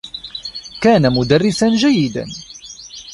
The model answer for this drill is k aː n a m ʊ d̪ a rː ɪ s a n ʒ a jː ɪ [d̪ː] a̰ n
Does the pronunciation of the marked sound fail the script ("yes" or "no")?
yes